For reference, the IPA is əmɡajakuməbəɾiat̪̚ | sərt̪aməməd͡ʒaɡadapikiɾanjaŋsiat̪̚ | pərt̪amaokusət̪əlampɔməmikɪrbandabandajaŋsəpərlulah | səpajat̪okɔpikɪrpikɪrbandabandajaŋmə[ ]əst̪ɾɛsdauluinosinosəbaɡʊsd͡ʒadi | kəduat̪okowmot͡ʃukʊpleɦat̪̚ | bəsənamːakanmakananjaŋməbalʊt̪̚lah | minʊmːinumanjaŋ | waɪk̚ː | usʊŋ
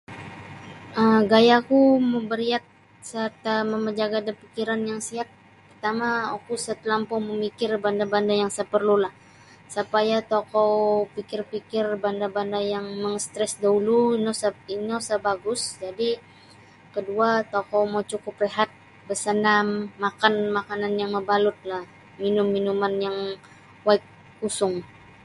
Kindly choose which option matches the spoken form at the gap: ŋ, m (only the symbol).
ŋ